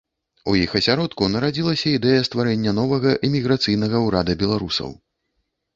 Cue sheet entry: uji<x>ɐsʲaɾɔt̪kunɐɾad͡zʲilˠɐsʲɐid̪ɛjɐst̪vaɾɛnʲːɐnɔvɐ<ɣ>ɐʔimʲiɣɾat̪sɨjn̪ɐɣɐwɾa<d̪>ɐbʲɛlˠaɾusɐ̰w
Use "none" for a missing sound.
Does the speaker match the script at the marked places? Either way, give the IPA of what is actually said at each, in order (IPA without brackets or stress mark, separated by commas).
x, ɣ, d̪